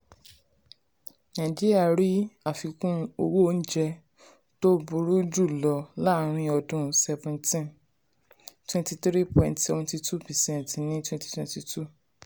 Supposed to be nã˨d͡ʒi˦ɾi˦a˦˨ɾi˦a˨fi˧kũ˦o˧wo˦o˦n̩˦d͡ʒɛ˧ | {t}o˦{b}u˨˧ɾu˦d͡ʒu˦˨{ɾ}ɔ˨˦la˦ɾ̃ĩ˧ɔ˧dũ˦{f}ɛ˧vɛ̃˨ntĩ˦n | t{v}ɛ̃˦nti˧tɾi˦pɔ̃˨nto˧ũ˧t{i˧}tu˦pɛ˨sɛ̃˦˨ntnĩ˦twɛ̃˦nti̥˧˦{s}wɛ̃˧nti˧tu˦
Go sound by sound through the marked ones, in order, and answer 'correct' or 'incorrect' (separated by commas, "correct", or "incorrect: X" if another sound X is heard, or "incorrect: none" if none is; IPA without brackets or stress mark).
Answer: correct, correct, incorrect: l, incorrect: s, incorrect: w, correct, incorrect: t